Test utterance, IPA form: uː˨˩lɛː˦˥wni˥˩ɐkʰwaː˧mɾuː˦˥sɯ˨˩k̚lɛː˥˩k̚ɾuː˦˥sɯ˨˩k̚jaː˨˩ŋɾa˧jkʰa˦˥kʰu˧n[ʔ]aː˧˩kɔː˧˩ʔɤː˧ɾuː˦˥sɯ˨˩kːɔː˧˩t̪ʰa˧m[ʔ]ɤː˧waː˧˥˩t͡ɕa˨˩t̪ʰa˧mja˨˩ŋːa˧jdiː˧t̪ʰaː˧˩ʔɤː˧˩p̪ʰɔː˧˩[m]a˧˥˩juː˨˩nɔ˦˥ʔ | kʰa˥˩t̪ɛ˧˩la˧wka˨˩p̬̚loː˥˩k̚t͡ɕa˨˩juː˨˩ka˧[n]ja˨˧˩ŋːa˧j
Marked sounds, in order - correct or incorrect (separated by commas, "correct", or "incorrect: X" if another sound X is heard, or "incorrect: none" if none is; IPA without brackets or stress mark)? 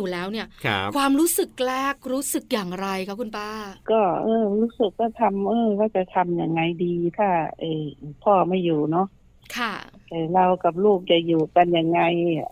incorrect: p, correct, correct, correct